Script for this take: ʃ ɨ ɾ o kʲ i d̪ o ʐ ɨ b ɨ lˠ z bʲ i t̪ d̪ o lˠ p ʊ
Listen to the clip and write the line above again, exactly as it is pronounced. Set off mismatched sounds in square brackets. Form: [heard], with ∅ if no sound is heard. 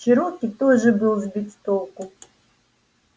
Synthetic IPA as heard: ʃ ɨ ɾ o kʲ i [t̪] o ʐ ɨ b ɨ lˠ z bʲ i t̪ [t̪] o lˠ [k] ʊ